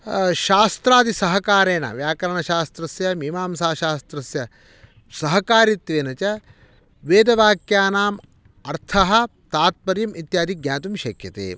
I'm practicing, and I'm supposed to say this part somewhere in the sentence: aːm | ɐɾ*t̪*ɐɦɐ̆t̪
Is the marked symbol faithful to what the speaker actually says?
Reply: no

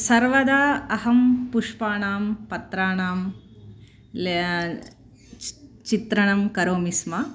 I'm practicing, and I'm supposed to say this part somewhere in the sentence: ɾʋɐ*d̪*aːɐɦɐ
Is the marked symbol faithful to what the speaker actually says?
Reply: yes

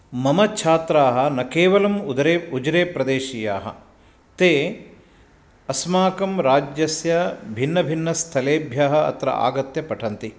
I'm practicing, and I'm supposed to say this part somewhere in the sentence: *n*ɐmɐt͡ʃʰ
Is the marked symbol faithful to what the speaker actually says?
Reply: no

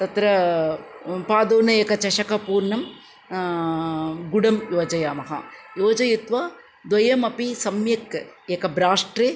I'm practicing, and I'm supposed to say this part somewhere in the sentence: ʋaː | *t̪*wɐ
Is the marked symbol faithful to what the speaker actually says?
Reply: no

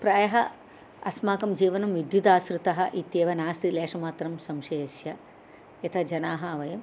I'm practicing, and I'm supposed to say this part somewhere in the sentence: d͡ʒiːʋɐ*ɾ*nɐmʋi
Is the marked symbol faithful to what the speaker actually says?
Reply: no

